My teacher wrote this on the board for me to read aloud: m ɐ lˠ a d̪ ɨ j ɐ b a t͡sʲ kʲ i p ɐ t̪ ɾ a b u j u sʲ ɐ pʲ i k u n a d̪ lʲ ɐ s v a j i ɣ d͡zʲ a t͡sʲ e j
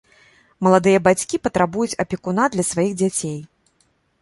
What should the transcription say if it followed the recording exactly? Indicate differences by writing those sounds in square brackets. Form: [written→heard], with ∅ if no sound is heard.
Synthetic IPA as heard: m ɐ lˠ a d̪ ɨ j ɐ b a t͡sʲ kʲ i p ɐ t̪ ɾ a b u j u [sʲ→t͡sʲ] ɐ pʲ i k u n a d̪ lʲ ɐ s v a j i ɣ d͡zʲ a t͡sʲ e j